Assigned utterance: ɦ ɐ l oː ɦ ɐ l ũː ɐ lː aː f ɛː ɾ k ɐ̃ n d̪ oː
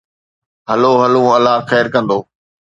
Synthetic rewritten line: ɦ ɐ l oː ɦ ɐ l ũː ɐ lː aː x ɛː ɾ k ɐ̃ n d̪ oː